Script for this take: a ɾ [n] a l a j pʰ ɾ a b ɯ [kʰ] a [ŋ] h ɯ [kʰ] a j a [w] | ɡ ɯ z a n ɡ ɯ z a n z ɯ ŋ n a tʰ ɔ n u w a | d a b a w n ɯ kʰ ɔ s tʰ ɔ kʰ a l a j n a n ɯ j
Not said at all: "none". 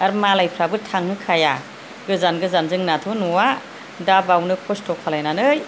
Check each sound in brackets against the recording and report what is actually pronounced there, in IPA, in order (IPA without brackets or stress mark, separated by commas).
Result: m, tʰ, ŋ, kʰ, none